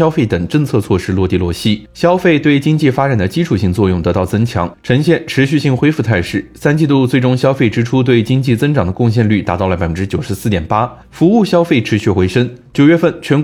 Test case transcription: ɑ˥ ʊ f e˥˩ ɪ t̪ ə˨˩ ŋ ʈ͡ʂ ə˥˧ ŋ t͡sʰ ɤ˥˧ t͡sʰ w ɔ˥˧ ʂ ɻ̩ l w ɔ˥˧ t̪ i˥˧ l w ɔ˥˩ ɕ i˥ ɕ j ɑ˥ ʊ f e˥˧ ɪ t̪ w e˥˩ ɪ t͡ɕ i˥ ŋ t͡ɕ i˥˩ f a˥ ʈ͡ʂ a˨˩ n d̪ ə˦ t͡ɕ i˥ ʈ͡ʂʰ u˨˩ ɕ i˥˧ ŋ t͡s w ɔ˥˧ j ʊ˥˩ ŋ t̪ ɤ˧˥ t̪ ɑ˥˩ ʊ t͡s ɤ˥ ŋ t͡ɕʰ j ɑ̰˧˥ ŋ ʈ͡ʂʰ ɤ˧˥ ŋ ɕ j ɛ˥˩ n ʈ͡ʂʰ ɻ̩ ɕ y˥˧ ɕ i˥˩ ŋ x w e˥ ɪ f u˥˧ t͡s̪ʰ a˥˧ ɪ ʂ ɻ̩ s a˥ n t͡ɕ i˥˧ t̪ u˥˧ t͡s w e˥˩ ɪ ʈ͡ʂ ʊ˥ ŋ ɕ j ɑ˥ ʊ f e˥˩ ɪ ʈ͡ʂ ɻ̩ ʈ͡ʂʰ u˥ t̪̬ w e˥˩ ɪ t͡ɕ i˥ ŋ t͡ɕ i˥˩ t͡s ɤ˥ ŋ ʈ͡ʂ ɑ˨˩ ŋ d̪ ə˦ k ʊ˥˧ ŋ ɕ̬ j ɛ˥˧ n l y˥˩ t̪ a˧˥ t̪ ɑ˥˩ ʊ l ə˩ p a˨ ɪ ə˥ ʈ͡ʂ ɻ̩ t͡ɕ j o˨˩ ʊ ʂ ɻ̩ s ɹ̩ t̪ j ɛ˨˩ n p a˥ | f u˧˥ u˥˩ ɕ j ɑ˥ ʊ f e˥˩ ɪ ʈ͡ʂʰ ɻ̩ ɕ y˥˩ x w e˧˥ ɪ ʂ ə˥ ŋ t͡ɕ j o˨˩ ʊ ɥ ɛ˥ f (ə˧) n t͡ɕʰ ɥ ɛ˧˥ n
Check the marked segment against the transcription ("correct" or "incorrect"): incorrect